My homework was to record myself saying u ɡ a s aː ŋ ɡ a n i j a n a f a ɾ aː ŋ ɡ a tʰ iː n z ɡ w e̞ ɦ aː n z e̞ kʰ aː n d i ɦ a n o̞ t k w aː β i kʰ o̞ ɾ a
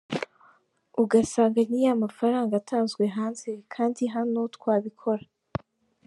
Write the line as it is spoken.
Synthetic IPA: u ɡ a s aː ŋ ɡ a n i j a m a f a ɾ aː ŋ ɡ a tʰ aː n z ɡ w e̞ ɦ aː n z e̞ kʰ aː n d i ɦ a n o̞ t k w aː β i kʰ o̞ ɾ a